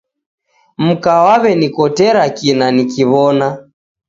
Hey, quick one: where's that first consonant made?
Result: lips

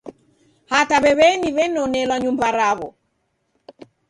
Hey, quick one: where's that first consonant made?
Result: throat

